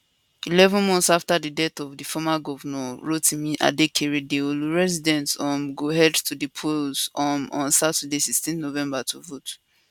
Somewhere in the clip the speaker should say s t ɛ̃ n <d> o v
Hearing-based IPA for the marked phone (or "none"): n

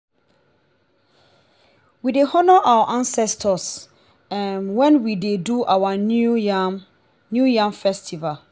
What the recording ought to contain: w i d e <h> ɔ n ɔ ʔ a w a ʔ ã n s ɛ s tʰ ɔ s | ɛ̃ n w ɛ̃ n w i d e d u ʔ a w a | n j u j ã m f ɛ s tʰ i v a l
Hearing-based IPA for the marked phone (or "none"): h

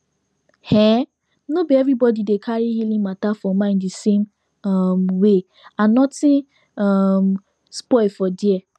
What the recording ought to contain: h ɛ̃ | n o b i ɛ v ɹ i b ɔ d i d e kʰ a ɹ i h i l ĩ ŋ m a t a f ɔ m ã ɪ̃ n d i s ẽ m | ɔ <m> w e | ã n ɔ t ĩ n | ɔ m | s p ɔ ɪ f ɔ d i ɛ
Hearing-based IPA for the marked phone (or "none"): m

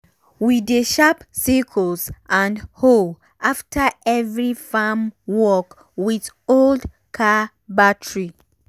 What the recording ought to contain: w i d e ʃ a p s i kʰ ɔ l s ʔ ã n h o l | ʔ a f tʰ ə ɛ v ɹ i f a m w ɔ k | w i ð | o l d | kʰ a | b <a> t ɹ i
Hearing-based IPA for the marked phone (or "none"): a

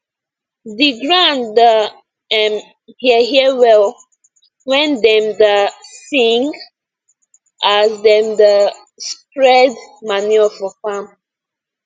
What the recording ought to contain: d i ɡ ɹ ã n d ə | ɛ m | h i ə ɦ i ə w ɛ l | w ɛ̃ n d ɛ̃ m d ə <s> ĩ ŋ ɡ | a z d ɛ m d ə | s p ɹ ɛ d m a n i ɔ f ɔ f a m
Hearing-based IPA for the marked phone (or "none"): s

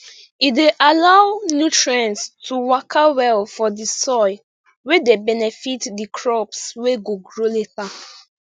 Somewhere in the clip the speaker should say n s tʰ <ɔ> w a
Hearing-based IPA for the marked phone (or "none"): u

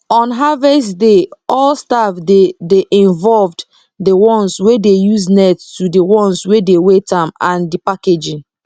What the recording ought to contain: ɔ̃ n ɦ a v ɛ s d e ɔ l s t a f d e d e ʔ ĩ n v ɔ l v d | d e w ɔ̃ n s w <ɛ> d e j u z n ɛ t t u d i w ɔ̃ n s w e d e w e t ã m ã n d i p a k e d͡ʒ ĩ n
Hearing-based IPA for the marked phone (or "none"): e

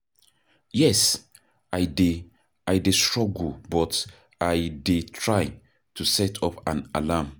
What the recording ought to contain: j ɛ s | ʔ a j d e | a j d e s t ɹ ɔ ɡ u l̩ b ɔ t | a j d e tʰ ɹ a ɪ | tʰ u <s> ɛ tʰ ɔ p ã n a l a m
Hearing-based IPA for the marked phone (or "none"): s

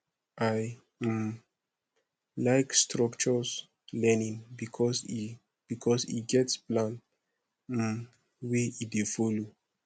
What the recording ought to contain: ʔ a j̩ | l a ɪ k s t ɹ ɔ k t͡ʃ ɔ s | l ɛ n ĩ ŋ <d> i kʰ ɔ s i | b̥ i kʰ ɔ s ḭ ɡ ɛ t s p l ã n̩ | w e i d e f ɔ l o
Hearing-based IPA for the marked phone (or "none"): b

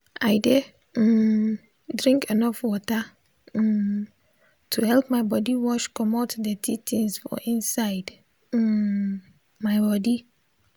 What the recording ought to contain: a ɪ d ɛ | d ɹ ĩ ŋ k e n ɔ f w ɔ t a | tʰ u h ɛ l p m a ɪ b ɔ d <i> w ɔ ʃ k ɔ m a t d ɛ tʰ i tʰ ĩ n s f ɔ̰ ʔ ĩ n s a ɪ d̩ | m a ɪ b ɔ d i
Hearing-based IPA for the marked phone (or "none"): i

